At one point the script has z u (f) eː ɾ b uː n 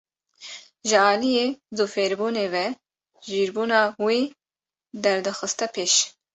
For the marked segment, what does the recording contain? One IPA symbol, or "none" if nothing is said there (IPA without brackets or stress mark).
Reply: f